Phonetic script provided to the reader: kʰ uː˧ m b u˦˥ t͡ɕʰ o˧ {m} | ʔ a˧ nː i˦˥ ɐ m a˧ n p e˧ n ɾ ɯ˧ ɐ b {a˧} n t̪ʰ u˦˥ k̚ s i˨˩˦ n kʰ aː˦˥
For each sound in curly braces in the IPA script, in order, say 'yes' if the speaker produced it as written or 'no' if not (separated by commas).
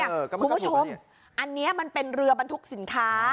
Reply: yes, yes